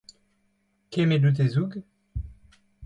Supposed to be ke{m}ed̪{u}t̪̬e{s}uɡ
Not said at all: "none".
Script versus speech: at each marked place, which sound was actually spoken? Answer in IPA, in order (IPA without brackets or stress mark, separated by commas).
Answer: m, u, z